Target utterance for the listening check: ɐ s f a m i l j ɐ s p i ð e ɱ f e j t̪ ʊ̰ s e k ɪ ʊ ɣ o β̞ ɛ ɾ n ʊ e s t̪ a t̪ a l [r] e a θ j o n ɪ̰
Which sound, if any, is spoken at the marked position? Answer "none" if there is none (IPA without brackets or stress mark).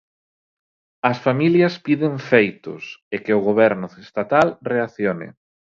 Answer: r